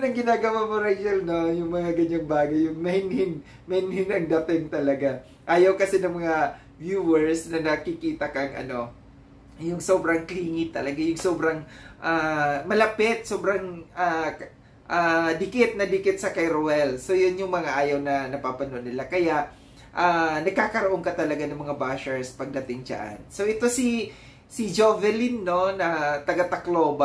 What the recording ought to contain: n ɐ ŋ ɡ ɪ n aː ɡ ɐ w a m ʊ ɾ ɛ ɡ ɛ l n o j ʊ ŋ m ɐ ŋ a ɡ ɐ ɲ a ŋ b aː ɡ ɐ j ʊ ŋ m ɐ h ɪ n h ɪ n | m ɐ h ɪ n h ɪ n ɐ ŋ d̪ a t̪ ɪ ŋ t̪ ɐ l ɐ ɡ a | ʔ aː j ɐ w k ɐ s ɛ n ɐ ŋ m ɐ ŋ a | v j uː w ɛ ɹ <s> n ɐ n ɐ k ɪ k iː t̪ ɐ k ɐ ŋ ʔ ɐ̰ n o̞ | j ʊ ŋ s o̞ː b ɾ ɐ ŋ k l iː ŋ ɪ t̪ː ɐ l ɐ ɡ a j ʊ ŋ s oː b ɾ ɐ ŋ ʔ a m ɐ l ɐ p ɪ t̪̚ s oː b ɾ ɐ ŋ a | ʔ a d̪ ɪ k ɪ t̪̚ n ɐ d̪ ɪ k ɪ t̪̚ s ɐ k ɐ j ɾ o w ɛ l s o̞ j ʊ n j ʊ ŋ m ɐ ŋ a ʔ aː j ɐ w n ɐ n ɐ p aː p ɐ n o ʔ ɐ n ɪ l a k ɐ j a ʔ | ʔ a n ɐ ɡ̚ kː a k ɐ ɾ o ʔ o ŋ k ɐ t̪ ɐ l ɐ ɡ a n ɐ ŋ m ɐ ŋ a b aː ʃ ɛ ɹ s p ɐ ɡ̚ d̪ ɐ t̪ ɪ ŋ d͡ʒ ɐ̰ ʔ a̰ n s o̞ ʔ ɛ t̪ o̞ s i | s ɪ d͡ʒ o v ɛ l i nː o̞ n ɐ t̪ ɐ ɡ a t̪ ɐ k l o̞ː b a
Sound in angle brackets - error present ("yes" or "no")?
no